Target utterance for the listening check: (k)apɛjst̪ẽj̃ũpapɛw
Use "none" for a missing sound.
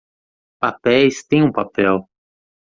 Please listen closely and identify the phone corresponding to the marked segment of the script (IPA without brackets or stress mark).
p